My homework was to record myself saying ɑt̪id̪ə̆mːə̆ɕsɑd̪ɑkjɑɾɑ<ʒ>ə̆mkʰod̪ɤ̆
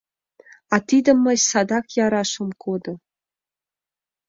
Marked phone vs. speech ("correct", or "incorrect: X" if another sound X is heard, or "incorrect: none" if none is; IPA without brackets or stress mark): incorrect: ʃ